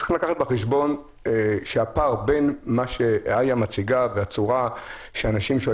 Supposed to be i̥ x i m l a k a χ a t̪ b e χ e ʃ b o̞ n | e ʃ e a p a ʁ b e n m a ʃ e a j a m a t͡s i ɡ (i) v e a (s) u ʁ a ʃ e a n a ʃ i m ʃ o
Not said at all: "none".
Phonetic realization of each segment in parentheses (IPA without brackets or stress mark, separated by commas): a, t͡s